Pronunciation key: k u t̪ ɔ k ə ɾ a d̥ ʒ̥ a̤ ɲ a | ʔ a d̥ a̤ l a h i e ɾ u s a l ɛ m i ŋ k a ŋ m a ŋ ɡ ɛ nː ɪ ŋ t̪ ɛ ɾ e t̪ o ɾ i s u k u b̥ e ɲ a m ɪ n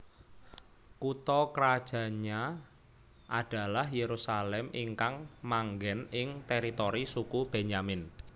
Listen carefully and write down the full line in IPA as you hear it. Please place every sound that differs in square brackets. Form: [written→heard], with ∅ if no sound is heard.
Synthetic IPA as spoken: k u t̪ ɔ k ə ɾ a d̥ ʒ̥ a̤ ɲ a | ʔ a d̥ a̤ l a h [i→j] e ɾ u s a l ɛ m i ŋ k a ŋ m a ŋ ɡ ɛ [nː→n] ɪ ŋ t̪ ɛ ɾ [e→i] t̪ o ɾ i s u k u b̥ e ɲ a m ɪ n